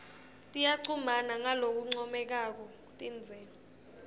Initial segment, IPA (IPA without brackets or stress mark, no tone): tʼ